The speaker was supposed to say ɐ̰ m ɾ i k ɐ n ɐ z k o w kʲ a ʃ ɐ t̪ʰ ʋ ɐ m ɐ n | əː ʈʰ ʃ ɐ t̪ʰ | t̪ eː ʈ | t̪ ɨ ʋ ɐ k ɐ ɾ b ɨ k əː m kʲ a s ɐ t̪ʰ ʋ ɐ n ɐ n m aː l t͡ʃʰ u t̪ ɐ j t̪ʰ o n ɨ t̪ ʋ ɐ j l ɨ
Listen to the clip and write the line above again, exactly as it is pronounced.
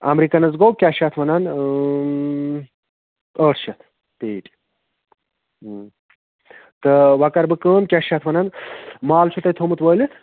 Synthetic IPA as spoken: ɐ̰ m ɾ i k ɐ n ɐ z ɡ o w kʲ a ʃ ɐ t̪ʰ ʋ ɐ n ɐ n | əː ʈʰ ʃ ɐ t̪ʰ | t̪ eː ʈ | t̪ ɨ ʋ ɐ k ɐ ɾ b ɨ k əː m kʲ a ʃ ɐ t̪ʰ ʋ ɐ n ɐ n m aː l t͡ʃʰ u t̪ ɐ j t̪ʰ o m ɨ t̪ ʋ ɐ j l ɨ